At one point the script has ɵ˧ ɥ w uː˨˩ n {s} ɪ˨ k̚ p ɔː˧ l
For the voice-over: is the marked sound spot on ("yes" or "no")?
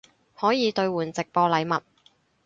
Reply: no